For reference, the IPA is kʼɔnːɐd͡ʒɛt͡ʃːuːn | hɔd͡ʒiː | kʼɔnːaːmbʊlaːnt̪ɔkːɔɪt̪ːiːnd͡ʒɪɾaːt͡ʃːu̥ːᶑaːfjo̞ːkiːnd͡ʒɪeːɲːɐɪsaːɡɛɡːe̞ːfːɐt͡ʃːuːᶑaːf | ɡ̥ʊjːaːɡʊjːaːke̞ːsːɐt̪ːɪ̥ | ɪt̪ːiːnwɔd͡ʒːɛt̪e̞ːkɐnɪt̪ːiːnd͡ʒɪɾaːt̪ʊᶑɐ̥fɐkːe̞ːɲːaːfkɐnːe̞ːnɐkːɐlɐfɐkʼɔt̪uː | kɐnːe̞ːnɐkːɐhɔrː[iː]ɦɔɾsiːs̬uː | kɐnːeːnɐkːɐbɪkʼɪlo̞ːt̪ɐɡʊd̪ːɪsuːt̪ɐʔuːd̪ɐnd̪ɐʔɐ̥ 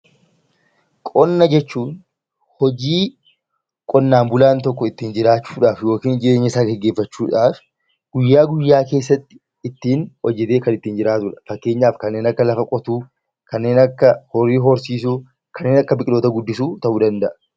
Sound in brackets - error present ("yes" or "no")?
no